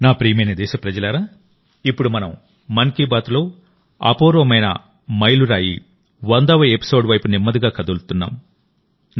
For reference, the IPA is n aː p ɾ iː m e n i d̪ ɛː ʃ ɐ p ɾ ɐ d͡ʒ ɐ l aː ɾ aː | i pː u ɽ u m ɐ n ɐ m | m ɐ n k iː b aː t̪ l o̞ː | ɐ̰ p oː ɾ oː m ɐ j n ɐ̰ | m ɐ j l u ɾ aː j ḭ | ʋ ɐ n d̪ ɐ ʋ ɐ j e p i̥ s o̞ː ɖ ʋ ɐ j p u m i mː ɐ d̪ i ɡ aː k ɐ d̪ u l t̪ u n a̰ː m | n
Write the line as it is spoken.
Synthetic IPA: n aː p ɾ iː m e n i d̪ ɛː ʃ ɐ p ɾ ɐ d͡ʒ ɐ l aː ɾ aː | i pː u ɽ u m ɐ n ɐ m | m ɐ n k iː b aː t̪ l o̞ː | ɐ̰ p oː ɾ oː m ɐ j n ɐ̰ | m ɐ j l u ɾ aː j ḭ | ʋ ɐ n d̪ ɐ ʋ ɐ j e p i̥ s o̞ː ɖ ʋ ɐ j p u n i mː ɐ d̪ i ɡ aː k ɐ d̪ u l t̪ u nː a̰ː m | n